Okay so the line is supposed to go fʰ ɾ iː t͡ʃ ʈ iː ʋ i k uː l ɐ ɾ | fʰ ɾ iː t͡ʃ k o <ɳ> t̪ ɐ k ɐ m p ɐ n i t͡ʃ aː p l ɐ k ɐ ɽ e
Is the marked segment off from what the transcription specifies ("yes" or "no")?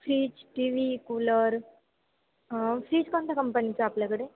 yes